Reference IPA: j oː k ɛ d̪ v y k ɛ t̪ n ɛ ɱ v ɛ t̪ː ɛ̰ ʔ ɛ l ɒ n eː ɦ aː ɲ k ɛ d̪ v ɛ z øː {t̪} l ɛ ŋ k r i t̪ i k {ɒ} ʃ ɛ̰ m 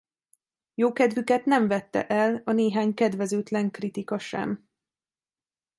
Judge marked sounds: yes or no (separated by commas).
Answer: yes, yes